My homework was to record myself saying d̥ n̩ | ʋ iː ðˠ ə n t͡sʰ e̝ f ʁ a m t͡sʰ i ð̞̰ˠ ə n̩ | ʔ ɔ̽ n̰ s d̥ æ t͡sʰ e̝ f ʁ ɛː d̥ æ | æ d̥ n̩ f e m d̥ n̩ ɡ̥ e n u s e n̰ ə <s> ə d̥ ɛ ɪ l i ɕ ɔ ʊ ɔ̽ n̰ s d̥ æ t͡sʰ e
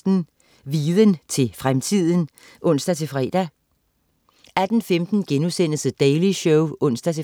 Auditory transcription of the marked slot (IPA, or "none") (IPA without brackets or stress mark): s